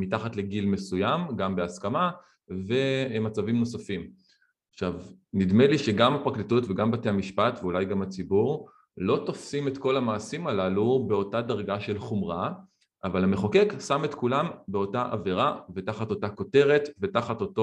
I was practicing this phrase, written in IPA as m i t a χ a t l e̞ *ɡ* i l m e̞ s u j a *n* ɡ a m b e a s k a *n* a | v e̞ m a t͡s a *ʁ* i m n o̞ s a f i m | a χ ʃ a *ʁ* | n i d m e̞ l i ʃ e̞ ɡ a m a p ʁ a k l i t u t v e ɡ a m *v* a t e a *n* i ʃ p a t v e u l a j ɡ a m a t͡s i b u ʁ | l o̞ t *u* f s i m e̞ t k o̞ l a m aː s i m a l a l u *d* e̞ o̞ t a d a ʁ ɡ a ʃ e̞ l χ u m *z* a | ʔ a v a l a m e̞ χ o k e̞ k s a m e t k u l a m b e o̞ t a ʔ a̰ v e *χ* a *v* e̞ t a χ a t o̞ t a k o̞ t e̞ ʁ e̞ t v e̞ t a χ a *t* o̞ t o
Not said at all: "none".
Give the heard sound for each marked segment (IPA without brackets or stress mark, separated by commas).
ɡ, m, m, v, v, b, m, o, b, ʁ, ʁ, v, t